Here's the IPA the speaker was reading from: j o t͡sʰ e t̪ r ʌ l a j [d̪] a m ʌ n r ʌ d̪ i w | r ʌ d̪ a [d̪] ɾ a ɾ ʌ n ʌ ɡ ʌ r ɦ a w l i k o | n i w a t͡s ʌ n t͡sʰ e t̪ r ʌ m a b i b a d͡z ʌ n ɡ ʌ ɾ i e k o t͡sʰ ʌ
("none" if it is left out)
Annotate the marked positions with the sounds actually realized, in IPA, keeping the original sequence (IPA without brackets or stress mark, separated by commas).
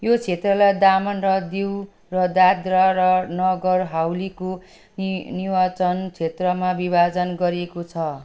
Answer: d̪, d̪